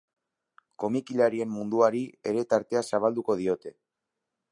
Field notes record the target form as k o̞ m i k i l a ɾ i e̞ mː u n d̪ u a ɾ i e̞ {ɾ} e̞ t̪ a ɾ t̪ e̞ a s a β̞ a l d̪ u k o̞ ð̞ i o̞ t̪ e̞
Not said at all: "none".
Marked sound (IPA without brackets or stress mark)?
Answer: ɾ